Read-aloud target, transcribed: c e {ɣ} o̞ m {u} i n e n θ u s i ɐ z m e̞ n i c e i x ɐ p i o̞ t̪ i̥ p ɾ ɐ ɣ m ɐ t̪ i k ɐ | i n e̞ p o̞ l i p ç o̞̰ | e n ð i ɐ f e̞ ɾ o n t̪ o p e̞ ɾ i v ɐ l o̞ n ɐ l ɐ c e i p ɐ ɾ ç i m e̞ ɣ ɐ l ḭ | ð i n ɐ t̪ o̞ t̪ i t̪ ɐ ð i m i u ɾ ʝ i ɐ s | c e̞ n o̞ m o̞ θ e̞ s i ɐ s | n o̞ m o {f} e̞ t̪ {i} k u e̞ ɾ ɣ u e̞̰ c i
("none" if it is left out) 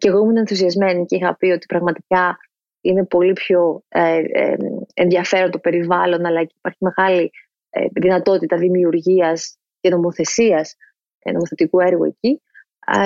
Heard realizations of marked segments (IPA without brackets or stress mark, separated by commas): ɣ, u, θ, i